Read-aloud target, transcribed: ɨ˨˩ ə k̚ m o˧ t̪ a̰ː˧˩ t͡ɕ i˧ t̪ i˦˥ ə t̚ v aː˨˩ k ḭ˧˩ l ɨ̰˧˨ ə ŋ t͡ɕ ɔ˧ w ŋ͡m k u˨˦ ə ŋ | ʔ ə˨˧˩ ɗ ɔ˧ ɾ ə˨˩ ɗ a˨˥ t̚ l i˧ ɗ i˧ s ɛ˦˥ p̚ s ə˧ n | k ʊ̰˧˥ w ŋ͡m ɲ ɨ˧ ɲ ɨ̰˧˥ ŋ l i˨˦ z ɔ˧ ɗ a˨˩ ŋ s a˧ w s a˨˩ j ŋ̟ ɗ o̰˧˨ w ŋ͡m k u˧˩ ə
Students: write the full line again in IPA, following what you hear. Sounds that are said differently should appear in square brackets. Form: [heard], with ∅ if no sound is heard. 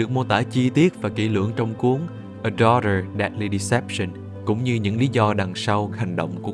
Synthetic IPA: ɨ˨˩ ə k̚ m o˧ t̪ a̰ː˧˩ t͡ɕ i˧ t̪ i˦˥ ə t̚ v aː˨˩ k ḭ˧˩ l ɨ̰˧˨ ə ŋ t͡ɕ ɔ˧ w ŋ͡m k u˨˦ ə ŋ | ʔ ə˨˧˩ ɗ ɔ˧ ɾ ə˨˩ ɗ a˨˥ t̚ l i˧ ɗ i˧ s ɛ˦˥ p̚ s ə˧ n | k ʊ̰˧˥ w ŋ͡m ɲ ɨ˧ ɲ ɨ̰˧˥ ŋ l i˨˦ z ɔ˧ ɗ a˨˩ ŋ s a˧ w [h] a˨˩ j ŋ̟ ɗ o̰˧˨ w ŋ͡m k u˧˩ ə